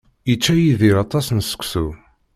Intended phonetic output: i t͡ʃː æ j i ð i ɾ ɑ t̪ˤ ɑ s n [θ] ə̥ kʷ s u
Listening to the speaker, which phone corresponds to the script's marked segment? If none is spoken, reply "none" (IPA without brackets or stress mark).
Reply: s